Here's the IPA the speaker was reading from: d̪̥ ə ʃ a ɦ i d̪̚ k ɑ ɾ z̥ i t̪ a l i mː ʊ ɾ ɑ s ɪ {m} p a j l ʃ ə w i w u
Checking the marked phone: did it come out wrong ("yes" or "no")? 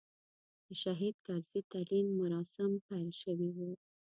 no